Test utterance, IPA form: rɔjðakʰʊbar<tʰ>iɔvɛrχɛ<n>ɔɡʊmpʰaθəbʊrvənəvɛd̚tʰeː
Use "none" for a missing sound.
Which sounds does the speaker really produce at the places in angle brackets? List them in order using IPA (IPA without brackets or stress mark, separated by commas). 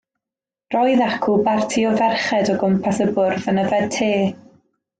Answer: tʰ, d